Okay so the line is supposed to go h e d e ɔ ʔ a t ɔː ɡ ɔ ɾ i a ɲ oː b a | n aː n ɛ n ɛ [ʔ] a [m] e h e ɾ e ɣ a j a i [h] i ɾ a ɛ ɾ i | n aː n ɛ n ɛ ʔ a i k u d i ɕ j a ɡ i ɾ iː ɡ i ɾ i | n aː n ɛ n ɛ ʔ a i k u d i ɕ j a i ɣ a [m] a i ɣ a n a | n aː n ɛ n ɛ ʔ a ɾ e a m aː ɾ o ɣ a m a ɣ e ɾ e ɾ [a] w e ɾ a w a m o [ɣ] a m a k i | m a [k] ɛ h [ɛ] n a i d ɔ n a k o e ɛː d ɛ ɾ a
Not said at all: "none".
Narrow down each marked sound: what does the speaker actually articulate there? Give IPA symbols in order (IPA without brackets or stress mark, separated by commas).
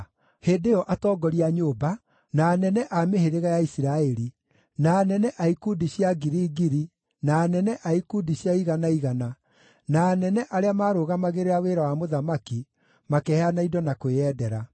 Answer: ʔ, m, s, n, a, ð, k, a